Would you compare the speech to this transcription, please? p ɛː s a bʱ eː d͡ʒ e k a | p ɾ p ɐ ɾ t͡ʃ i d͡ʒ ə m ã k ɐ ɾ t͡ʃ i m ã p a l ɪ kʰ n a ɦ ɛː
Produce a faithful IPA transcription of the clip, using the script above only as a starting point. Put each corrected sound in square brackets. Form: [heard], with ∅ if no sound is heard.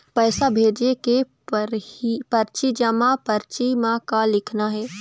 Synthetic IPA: p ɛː s a bʱ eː d͡ʒ e k [e] | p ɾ p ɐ ɾ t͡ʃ i d͡ʒ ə m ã [p] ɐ ɾ t͡ʃ i m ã [k] a l ɪ kʰ n a ɦ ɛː

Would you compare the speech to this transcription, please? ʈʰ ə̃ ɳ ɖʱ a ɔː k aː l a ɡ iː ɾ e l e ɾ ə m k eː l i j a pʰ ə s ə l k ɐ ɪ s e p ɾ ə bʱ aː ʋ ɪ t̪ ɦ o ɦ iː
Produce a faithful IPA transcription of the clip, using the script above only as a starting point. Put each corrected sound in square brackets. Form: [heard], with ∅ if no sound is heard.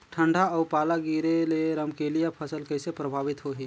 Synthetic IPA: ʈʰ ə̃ ɳ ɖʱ a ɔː [p] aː l a ɡ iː ɾ e l e ɾ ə m k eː l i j a pʰ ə s ə l k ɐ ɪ s e p ɾ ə bʱ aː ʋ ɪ t̪ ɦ o ɦ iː

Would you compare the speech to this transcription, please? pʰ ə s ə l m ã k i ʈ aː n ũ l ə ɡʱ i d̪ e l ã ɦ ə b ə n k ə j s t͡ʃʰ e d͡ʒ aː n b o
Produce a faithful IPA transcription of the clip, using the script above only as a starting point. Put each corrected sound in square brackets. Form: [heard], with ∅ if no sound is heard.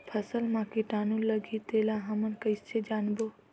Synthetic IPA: pʰ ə s ə l m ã k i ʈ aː n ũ l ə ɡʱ i [t̪] e l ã ɦ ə [m] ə n k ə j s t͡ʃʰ e d͡ʒ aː n b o

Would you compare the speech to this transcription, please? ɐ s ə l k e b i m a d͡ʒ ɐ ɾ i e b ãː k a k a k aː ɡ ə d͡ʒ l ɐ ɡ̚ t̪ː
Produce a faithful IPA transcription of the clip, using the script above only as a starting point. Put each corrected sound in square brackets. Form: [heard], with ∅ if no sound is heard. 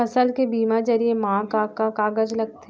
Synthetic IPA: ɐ s ə l k e b [iː] m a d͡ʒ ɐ ɾ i e [m] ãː k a k a k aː ɡ ə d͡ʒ l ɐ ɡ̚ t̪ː

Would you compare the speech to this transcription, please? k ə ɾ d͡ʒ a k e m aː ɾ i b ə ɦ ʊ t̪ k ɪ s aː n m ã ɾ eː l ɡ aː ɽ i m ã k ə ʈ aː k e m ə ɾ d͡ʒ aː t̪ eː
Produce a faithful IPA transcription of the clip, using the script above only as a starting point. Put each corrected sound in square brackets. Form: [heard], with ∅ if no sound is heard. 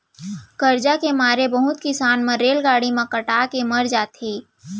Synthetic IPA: k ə ɾ d͡ʒ a k e m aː ɾ [e] b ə ɦ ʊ t̪ k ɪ s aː n m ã ɾ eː l ɡ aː ɽ i m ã k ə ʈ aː k e m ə ɾ d͡ʒ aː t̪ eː

